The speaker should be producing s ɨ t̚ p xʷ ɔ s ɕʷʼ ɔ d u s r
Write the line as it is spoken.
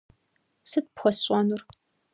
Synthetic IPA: s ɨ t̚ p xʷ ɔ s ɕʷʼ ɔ n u r